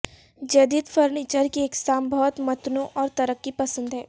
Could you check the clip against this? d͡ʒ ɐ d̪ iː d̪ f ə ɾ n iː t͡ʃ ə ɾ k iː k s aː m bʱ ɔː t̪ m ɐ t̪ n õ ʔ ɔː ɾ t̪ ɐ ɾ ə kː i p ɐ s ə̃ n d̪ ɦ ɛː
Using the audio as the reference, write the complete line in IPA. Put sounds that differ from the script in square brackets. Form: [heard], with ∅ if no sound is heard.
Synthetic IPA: d͡ʒ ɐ d̪ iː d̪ f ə ɾ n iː t͡ʃ ə ɾ k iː k s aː m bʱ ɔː t̪ m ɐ t̪ n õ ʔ ɔː ɾ t̪ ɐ ɾ ə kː i p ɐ s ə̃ n d̪ ɦ ɛː